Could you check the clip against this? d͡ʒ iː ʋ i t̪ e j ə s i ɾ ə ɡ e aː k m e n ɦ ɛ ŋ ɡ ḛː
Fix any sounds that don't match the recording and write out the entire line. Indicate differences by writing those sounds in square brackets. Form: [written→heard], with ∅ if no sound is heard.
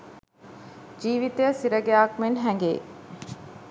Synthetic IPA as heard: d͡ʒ iː ʋ i t̪ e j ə s i ɾ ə ɡ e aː k m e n ɦ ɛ ŋ ɡ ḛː